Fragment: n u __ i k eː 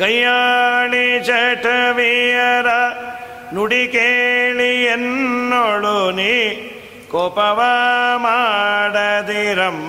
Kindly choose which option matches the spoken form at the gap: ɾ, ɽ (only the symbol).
ɽ